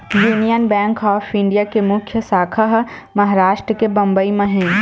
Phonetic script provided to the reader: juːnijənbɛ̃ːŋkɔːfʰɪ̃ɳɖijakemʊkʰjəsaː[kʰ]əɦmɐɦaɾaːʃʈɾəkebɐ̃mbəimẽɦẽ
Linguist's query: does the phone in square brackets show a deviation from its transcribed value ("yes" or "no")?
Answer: no